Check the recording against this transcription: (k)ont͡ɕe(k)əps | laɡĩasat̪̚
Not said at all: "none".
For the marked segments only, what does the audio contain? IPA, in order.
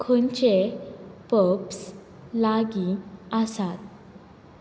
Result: kʰ, p

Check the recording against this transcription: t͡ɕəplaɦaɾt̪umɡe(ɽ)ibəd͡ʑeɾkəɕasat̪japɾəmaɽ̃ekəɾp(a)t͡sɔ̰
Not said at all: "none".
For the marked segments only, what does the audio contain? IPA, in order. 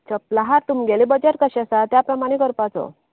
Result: l, a

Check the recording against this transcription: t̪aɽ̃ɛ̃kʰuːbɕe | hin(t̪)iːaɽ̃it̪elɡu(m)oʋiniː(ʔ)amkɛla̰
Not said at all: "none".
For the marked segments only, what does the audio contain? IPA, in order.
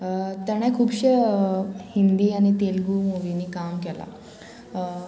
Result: d̪, m, k

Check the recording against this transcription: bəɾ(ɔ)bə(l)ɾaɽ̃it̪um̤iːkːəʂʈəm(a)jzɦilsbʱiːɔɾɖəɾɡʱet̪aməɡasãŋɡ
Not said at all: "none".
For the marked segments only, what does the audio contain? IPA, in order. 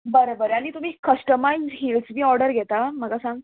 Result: o, none, a

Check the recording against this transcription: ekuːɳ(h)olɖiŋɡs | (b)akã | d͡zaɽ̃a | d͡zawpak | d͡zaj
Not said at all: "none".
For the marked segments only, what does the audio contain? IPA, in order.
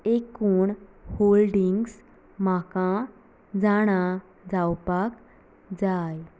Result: h, m

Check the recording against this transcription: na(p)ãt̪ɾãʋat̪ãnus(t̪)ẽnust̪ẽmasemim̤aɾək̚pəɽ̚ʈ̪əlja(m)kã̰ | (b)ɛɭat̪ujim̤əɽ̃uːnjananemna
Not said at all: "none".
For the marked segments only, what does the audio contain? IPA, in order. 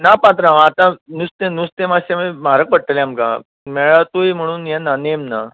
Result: p, t̪, m, m

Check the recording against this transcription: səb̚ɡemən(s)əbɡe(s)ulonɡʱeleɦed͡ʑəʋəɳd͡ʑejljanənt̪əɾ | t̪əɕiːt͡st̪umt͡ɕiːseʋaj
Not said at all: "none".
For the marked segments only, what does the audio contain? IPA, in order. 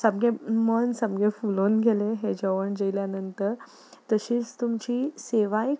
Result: s, f

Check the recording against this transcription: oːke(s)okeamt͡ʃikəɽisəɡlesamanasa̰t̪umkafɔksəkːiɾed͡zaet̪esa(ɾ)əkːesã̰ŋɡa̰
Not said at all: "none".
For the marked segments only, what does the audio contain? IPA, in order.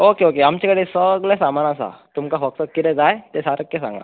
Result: none, ɾ

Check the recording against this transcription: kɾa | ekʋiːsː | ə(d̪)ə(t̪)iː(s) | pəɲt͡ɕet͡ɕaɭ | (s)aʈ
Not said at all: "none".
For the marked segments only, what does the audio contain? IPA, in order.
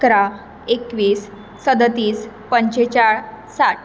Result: d̪, t̪, s, s

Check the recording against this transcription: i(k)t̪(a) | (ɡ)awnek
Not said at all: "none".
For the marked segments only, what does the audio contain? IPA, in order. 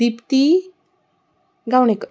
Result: p, i, ɡ

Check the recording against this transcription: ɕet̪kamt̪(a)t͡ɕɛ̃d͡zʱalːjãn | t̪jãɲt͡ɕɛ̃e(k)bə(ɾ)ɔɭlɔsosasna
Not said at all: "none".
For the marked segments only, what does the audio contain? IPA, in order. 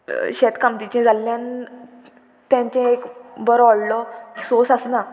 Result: i, k, ɾ

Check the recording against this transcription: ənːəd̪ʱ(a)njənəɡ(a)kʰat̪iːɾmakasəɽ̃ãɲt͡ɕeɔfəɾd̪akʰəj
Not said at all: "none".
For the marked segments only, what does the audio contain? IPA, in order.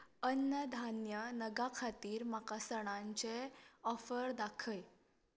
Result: a, a

